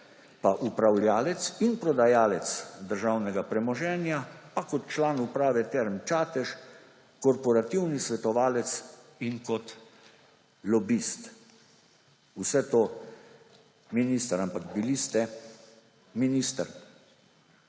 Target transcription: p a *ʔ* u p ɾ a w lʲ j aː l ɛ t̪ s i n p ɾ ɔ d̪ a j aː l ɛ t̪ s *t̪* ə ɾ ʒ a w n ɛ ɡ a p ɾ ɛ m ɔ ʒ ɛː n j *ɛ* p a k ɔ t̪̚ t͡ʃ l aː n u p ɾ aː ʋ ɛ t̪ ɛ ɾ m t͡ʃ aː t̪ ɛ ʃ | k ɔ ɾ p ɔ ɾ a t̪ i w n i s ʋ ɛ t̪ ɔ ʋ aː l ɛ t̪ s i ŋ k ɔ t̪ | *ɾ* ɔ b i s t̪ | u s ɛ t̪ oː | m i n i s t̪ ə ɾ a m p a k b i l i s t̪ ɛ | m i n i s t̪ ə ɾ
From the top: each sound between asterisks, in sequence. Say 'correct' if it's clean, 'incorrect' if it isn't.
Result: correct, incorrect: d̪, incorrect: a, incorrect: l

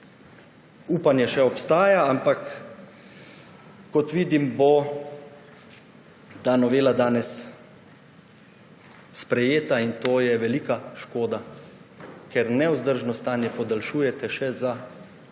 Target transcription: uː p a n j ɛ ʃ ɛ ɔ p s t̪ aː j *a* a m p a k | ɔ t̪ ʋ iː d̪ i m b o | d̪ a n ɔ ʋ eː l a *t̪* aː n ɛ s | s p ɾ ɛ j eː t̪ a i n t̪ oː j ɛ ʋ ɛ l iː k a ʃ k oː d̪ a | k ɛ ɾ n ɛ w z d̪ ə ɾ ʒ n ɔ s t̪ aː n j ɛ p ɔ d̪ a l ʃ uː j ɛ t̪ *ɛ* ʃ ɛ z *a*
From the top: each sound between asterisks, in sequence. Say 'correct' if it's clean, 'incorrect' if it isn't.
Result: correct, incorrect: d̪, correct, correct

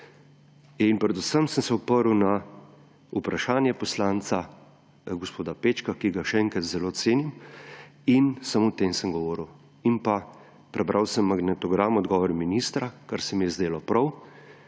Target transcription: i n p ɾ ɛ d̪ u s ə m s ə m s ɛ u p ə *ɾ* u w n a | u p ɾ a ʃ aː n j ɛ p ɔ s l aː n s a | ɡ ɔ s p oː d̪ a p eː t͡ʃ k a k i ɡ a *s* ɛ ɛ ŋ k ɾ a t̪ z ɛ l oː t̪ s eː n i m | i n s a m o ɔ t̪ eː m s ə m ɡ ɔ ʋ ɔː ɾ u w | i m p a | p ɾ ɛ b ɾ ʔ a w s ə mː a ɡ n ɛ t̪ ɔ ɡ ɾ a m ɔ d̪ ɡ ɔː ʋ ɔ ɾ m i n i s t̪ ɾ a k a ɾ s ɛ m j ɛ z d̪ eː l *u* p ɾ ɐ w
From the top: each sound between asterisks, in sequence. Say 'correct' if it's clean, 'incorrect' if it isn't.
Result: correct, incorrect: ʃ, incorrect: ɔ

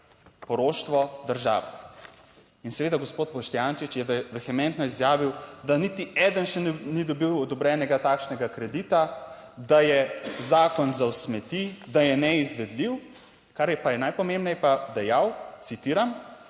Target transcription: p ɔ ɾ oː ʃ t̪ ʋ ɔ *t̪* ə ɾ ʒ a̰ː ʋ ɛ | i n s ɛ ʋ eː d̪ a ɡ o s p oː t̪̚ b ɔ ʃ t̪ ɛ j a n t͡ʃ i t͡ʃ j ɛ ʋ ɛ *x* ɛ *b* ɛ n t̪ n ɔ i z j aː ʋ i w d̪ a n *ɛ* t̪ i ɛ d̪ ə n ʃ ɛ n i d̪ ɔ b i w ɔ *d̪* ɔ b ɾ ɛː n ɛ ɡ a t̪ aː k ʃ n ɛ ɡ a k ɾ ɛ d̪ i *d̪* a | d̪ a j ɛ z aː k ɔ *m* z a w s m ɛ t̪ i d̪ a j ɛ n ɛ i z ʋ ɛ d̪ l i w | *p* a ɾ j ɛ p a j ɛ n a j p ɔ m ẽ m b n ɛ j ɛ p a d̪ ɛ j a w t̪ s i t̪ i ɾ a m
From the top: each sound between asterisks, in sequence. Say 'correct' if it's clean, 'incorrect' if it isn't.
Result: incorrect: d̪, correct, incorrect: m, incorrect: i, correct, incorrect: t̪, incorrect: n, incorrect: k

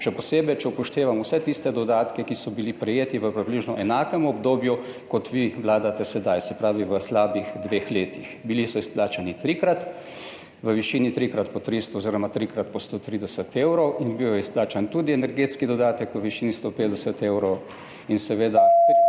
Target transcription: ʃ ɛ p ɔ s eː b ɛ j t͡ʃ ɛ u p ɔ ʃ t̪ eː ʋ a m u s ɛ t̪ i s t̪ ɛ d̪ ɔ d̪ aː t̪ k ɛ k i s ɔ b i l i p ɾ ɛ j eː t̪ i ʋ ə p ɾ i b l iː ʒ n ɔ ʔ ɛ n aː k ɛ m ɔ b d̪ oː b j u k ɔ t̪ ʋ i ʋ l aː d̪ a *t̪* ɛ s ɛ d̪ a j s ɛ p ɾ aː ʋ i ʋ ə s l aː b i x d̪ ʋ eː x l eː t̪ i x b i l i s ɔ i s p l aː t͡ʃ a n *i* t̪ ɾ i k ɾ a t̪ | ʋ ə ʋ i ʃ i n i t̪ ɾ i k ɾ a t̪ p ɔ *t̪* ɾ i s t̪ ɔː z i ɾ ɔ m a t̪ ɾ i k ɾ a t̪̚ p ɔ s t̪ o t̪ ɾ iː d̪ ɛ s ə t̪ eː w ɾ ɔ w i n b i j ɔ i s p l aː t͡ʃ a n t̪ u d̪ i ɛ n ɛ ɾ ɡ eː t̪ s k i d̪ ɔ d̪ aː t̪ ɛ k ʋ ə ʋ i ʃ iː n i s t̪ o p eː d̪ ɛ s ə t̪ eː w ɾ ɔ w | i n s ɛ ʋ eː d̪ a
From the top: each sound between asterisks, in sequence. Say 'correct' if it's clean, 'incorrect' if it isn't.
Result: correct, correct, correct

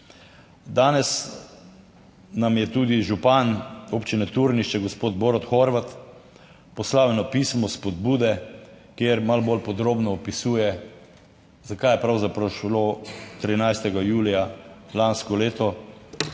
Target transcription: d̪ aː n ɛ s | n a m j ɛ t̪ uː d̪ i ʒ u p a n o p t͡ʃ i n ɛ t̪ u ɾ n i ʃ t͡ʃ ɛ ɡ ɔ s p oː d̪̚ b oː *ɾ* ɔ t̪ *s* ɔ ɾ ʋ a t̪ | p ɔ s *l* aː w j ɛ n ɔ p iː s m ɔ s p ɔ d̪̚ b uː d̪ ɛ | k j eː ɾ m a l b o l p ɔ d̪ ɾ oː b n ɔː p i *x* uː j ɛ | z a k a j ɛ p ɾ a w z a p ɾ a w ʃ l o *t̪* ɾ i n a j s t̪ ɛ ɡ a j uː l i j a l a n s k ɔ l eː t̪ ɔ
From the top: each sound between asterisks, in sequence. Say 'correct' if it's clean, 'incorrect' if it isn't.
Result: correct, incorrect: x, correct, incorrect: s, correct

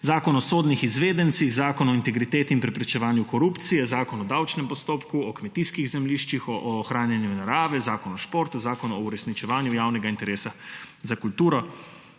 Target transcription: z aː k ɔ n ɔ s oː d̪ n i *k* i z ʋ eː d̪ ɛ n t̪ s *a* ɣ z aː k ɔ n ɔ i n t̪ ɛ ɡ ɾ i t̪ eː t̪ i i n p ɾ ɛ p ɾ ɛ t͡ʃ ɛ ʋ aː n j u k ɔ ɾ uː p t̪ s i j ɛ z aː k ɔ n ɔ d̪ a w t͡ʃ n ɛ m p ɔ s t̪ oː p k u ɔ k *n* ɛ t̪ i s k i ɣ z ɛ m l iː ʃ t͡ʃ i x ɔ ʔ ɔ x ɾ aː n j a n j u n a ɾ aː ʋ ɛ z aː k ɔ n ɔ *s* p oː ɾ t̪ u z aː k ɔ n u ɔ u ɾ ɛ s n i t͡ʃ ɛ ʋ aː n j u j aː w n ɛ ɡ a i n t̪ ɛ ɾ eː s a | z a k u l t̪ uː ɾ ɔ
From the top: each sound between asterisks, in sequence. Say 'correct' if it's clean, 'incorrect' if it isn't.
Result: incorrect: x, incorrect: i, incorrect: m, incorrect: ʃ

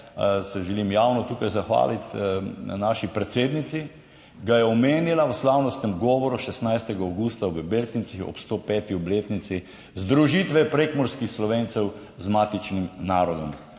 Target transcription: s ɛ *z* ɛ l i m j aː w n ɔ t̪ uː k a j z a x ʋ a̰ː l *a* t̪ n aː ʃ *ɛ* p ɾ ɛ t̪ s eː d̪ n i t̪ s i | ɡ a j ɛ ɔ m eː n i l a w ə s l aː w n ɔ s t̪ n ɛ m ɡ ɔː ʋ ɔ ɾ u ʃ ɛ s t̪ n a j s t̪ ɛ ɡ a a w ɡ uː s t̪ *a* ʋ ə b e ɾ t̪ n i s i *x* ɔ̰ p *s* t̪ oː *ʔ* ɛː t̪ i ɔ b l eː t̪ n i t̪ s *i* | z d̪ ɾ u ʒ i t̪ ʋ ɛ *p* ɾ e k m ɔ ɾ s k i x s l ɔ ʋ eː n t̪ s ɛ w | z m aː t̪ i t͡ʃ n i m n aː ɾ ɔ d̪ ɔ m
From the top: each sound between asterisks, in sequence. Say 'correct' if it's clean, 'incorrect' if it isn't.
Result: incorrect: ʒ, incorrect: i, incorrect: i, correct, correct, correct, incorrect: p, correct, correct

